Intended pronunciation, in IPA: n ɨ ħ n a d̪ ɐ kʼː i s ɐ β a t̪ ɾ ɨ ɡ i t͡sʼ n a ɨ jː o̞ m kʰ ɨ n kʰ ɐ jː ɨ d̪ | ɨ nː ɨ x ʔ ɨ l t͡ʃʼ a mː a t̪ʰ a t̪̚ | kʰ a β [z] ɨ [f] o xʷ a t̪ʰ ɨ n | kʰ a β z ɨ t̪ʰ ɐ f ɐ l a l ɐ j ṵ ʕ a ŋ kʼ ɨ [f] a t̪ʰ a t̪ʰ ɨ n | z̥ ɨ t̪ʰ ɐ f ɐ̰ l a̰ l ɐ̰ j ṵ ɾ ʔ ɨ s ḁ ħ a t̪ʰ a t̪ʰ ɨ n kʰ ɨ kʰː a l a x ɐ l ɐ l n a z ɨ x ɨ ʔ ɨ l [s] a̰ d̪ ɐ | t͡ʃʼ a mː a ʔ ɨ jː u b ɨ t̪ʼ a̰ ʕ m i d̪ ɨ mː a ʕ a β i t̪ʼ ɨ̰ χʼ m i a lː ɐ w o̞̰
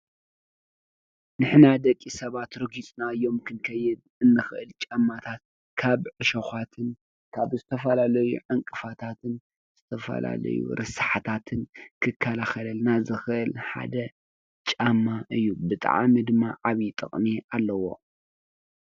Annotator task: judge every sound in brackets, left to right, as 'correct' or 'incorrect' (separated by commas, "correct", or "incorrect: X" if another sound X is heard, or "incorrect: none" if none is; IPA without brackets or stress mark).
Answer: incorrect: ʕ, incorrect: ʃ, correct, incorrect: ħ